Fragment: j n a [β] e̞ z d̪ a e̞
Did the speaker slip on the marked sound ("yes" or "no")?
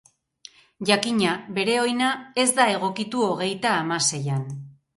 yes